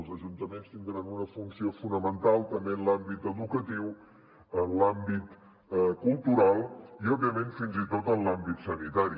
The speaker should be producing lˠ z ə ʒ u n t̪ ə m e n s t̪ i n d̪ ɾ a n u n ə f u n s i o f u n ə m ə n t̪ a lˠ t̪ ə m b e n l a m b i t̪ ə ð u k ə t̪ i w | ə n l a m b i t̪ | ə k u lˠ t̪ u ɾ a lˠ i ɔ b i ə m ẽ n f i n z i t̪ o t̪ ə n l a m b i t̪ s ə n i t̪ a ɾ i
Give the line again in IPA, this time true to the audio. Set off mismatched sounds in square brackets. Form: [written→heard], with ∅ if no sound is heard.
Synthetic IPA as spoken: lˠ z ə ʒ u n t̪ ə m e n s t̪ i n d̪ ɾ a n u n ə f u n s i o f u n ə m ə n t̪ a lˠ t̪ ə m b e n l a m b i t̪ ə ð u k ə t̪ i w | ə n l a m b i t̪ | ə k u lˠ t̪ u ɾ a lˠ i ɔ b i ə m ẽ n f i n z i t̪ o t̪ ə n l a m b i t̪ s ə n i t̪ a ɾ i